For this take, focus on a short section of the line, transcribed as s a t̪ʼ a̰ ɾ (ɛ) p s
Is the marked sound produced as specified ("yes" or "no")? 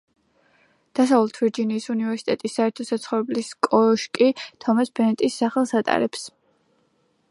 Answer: yes